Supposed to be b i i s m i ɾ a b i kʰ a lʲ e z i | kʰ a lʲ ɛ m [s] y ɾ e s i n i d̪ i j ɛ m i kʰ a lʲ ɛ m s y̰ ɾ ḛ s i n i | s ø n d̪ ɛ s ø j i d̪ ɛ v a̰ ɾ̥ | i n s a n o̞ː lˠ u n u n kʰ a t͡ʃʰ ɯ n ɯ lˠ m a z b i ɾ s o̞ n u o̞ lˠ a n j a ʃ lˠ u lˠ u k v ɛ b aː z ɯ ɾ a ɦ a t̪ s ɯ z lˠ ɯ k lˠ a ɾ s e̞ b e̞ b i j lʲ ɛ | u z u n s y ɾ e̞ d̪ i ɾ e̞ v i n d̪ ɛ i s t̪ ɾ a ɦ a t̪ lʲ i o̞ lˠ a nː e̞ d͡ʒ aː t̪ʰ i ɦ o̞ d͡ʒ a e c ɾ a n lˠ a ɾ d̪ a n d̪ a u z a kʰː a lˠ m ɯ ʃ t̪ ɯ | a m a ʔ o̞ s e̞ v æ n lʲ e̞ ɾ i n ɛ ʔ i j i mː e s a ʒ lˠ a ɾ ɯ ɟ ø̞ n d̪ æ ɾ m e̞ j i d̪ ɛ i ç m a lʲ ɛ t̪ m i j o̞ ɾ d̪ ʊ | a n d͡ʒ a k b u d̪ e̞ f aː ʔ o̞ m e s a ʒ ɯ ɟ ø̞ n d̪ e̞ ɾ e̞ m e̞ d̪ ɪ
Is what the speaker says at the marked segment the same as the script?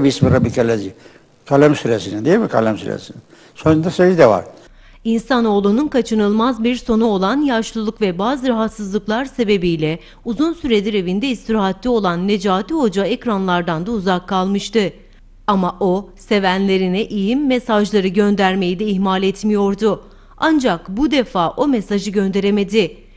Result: yes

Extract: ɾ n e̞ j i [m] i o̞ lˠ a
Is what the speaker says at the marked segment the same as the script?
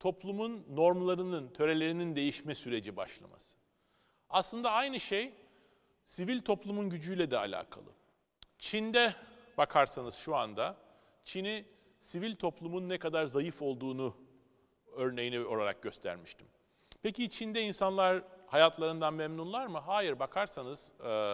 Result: no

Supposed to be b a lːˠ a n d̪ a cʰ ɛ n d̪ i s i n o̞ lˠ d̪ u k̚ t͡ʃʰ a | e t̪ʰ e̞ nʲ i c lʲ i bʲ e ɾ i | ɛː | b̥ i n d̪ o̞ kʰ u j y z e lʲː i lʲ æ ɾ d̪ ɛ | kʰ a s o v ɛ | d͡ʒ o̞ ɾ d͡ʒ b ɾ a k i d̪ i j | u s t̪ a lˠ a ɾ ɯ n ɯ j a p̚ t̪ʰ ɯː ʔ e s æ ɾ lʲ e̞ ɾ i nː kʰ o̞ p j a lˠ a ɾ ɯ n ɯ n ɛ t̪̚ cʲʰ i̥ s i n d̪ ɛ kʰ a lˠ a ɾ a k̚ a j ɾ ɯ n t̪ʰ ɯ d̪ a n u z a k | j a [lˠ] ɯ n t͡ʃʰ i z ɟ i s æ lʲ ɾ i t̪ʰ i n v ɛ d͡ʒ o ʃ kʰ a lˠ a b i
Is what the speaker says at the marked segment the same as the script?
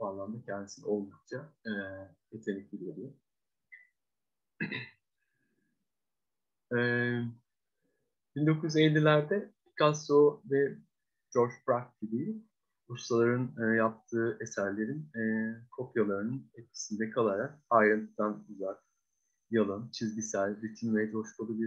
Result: yes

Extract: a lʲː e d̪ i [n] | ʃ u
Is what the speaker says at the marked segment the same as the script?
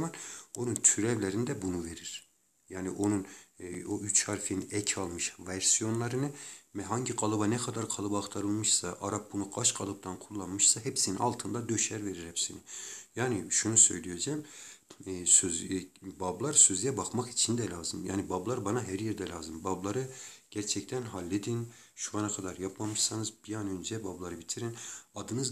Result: yes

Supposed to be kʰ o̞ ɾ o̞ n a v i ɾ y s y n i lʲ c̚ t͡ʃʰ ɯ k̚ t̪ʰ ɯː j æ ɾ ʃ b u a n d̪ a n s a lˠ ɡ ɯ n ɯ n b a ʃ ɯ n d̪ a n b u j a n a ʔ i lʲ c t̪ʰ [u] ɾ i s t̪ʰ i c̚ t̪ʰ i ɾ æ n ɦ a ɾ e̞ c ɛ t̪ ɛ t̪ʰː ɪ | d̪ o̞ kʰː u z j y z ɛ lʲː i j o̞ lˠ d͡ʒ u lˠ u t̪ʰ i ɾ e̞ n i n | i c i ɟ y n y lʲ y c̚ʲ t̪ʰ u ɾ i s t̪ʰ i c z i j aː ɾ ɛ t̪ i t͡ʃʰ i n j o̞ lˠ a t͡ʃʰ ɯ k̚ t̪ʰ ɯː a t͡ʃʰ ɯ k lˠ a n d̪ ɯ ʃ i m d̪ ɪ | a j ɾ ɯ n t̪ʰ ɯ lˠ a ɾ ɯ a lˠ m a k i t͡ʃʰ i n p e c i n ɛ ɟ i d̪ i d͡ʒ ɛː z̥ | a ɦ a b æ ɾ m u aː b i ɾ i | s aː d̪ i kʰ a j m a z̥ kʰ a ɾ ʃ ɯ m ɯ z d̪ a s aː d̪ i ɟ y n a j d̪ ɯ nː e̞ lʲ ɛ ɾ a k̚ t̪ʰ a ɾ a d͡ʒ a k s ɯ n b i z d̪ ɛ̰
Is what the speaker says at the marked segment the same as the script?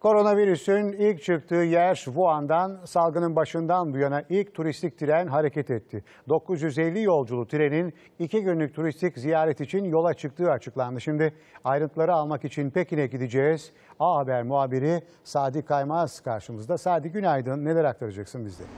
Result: yes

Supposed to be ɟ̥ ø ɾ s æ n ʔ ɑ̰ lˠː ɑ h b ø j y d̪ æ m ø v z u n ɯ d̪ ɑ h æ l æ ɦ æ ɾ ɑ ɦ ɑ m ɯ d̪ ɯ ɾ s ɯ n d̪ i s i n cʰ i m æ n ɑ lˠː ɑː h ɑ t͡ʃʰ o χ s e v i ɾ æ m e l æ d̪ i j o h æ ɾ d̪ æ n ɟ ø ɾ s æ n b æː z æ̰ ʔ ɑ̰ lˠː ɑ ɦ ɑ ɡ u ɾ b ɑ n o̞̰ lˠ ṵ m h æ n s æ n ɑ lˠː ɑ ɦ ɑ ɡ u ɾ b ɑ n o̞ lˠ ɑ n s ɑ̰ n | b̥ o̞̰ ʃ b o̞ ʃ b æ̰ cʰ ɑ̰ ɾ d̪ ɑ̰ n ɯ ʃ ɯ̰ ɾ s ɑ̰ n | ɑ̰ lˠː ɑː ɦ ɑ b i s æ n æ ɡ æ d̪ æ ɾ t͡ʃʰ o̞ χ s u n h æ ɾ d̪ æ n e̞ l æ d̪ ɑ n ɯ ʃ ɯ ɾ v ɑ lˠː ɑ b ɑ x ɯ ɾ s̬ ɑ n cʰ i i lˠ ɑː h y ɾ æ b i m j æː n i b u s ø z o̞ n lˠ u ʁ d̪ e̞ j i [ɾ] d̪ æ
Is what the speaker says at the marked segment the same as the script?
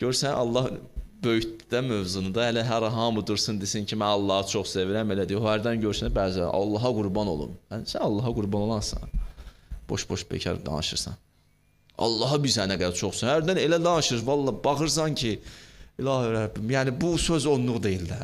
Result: no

